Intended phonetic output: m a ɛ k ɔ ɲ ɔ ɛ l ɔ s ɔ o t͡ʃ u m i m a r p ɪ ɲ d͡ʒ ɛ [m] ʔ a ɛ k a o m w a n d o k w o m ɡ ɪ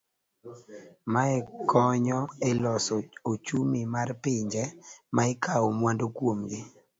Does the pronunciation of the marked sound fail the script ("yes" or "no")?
no